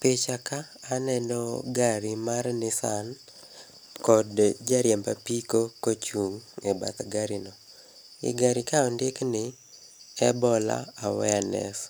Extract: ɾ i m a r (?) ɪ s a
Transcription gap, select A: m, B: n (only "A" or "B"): B